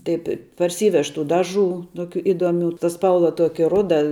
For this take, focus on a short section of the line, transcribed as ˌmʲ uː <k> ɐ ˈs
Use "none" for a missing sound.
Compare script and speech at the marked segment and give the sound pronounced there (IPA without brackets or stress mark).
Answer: t